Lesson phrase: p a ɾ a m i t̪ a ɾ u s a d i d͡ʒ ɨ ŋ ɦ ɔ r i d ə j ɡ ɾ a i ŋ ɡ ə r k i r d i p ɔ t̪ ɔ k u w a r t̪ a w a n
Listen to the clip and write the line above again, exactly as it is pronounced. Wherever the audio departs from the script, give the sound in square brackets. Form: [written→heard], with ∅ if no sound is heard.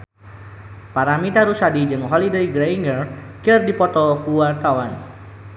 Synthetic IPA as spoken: p a ɾ a m i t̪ a ɾ u s a d i d͡ʒ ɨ ŋ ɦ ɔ [r→l] i d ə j ɡ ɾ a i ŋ ɡ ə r k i r d i p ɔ t̪ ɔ k u w a r t̪ a w a n